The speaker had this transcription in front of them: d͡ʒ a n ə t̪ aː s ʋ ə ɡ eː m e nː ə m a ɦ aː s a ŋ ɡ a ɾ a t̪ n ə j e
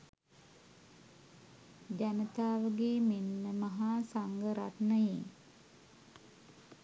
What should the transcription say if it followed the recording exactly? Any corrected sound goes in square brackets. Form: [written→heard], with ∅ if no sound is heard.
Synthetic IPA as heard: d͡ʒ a n ə t̪ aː [s→∅] ʋ ə ɡ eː m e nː ə m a ɦ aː s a ŋ ɡ [a→ə] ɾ a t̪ n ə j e